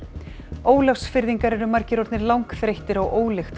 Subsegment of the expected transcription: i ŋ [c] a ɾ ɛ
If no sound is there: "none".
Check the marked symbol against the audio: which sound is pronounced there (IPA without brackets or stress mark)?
k